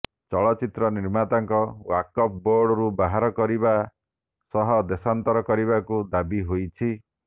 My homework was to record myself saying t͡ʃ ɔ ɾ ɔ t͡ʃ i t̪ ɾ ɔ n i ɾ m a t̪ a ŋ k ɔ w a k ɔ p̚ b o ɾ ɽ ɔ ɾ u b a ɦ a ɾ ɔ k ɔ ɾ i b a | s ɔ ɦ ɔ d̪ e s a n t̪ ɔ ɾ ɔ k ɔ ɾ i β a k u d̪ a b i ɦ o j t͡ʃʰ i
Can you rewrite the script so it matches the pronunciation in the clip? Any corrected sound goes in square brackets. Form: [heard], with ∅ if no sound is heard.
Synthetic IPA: t͡ʃ ɔ [ɭ] ɔ t͡ʃ i t̪ ɾ ɔ n i ɾ m a t̪ a ŋ k ɔ w a k ɔ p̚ b o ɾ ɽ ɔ ɾ u b a ɦ a ɾ ɔ k ɔ ɾ i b a | s ɔ ɦ ɔ d̪ e s a n t̪ ɔ ɾ ɔ k ɔ ɾ i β a k u d̪ a b i ɦ o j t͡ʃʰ i